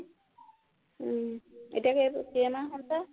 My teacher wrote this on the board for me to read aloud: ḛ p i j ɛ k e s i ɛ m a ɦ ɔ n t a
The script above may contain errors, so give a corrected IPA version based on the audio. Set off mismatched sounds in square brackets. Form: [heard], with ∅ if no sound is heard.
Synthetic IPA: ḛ [t] i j [a] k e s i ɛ m a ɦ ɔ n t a